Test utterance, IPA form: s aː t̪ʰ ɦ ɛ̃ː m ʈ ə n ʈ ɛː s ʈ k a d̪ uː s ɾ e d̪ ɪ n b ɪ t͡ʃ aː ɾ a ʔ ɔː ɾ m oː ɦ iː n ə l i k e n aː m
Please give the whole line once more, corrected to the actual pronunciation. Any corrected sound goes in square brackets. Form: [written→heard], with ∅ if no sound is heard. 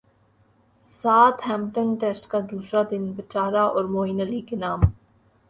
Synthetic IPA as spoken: s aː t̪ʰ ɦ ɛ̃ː m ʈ ə n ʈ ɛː s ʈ k a d̪ uː s ɾ [e→a] d̪ ɪ n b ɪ t͡ʃ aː ɾ a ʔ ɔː ɾ m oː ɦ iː n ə l i k e n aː m